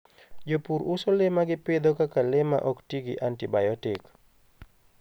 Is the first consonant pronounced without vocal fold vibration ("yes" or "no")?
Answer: no